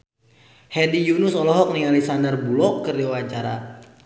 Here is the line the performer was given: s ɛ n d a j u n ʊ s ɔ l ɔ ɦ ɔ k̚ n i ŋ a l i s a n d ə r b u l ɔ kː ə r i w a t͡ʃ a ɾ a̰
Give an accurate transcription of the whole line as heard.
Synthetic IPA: h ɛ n d i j u n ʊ s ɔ l ɔ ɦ ɔ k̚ n i ŋ a l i s a n d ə r b u l ɔ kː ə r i w a t͡ʃ a ɾ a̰